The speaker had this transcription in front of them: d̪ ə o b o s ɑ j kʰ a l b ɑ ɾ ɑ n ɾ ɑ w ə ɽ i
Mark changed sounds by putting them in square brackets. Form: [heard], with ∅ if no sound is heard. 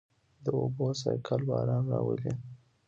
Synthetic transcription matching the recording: d̪ ə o b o s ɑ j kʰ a l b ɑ ɾ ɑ n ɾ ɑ w ə [l] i